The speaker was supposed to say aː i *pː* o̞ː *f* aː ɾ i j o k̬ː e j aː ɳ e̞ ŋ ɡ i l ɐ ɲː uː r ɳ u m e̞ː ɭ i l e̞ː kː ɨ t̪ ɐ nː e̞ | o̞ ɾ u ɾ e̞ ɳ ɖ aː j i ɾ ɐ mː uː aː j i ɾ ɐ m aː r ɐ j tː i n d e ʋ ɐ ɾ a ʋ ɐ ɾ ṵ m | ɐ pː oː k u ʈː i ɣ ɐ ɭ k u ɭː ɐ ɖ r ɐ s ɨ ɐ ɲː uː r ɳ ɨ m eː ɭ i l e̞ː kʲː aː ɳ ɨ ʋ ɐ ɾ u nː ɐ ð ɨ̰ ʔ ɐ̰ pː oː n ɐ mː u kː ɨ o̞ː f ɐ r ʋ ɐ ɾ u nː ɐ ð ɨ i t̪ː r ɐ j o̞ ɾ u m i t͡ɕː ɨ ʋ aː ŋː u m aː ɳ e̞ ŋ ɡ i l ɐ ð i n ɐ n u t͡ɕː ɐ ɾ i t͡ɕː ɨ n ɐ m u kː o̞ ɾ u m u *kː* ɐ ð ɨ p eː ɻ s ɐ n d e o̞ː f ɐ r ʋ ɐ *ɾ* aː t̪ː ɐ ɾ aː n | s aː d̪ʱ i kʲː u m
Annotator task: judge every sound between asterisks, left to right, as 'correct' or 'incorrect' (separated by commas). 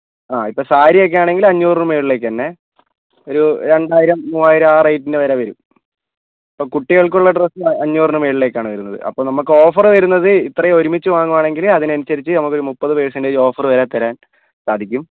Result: correct, incorrect, incorrect, correct